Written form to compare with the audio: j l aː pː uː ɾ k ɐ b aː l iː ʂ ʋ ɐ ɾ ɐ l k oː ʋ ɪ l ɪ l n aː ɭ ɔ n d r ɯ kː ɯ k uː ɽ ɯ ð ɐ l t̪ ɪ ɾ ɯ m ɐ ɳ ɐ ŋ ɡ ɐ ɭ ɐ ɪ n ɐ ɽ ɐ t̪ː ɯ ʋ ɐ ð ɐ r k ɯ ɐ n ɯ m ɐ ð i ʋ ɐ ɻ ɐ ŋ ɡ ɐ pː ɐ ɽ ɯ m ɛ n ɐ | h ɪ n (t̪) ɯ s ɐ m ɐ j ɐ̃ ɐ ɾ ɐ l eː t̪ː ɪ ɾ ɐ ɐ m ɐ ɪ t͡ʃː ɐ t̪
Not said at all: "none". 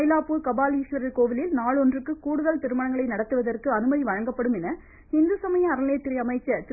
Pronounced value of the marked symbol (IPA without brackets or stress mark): d̪